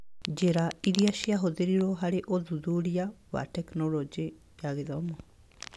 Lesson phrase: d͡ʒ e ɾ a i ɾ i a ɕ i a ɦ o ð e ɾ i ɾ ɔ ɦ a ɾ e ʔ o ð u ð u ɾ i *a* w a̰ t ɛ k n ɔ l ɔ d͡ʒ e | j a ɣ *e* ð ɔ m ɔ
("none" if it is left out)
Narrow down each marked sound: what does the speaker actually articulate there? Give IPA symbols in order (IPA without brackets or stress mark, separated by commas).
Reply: a, e